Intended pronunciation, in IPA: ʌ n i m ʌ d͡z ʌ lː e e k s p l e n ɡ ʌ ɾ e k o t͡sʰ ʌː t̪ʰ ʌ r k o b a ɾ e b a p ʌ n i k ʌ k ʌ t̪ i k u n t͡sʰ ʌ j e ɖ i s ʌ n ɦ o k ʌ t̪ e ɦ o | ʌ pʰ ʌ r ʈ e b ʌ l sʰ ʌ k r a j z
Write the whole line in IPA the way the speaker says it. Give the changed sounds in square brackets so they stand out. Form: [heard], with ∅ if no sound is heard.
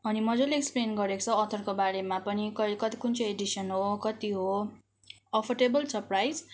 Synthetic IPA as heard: ʌ n i m ʌ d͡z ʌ [l] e e k s p l e n ɡ ʌ ɾ e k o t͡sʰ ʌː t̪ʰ ʌ r k o b a ɾ e [m] a p ʌ n i k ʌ k ʌ t̪ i k u n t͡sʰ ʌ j e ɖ i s ʌ n ɦ o k ʌ t̪ [i] ɦ o | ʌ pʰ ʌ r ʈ e b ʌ l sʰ ʌ [p] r a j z